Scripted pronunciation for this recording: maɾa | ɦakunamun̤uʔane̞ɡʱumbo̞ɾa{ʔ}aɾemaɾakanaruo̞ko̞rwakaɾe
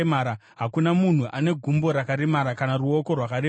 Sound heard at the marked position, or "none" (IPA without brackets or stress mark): k